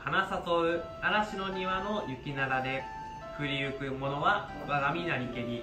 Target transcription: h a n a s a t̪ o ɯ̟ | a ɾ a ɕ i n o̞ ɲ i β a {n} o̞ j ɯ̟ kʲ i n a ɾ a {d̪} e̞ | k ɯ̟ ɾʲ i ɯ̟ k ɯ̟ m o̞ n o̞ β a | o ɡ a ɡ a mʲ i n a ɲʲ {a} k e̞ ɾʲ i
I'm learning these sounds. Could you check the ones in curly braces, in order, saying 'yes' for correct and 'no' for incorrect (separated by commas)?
yes, yes, no